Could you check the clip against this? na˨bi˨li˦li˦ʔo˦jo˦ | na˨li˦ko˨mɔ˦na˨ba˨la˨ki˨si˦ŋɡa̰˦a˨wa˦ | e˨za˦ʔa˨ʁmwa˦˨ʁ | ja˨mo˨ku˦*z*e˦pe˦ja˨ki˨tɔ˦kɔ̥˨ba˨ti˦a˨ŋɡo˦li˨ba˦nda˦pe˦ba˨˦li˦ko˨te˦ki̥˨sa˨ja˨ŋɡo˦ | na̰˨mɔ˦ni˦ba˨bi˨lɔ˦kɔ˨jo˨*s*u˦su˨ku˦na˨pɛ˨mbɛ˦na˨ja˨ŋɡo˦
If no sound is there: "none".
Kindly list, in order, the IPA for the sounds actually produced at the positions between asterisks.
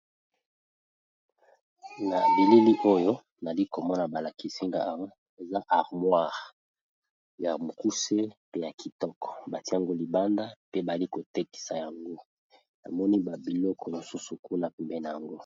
s, s

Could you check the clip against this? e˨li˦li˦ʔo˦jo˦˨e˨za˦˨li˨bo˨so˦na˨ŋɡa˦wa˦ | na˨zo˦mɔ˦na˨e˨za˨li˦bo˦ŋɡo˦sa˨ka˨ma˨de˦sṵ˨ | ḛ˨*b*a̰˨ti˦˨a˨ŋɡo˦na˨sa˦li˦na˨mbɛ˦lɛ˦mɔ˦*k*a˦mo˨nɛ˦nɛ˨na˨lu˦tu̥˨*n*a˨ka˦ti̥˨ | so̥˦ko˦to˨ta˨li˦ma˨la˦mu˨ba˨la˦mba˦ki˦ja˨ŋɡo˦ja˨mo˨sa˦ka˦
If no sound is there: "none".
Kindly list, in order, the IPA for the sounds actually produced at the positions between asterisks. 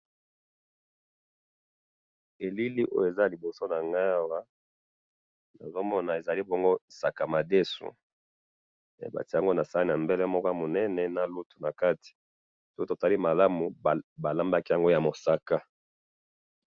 b, k, n

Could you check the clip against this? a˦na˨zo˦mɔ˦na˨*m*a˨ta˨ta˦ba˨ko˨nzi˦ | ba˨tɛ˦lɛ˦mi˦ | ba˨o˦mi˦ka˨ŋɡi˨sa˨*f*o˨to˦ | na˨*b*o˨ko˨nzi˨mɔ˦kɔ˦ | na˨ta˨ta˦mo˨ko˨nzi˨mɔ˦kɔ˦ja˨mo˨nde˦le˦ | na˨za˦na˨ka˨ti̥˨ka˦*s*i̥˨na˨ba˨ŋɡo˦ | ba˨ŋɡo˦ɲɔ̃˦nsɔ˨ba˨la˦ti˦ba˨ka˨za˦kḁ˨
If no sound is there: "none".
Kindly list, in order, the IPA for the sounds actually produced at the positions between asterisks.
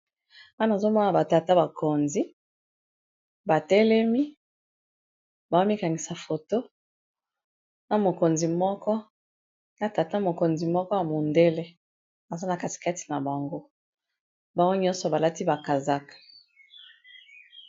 b, f, m, t

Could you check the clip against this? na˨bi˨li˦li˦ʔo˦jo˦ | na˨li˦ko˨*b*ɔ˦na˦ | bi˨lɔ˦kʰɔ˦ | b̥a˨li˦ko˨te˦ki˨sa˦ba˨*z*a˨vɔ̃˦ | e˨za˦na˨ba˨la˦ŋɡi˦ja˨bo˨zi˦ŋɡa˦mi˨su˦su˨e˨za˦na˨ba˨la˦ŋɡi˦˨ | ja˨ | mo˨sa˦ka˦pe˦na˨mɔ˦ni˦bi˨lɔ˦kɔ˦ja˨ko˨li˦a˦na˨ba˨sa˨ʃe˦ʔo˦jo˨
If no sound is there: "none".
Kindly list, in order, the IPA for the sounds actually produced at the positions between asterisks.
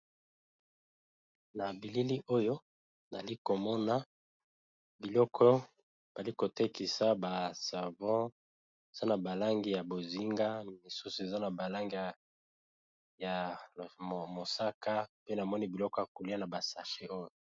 m, s

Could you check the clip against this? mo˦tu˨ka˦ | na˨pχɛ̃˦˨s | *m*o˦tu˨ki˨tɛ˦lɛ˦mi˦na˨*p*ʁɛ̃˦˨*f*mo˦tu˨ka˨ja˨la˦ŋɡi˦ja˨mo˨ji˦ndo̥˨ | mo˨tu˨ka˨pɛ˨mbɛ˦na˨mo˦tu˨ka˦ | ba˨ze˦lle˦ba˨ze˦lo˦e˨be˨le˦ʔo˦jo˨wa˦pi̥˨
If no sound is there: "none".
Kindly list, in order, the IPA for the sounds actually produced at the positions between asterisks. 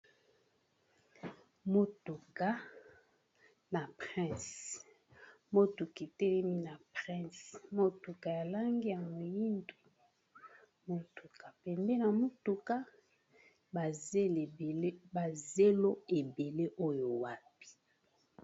m, p, s

